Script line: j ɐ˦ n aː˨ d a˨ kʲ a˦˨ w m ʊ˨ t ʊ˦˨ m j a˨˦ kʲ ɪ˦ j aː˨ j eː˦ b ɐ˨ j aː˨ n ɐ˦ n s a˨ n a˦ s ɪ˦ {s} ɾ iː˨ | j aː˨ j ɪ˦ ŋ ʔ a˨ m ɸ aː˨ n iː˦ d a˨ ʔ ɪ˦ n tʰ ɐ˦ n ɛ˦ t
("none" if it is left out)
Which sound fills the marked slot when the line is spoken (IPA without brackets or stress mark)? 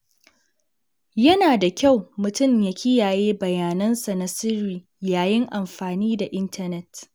none